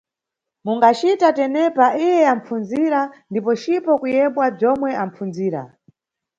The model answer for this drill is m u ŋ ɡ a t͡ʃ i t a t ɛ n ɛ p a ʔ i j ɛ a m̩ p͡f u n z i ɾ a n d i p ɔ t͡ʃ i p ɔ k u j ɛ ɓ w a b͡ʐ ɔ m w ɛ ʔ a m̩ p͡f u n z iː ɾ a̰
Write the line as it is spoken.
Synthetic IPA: m u ŋ ɡ a t͡ʃ i t a t ɛ n ɛ p a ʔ i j ɛ a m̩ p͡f u n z i ɾ a n d i p ɔ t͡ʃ i p ɔ k u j ɛ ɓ w a b͡ʐ ɔ m w ɛ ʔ a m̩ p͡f u n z iː ɾ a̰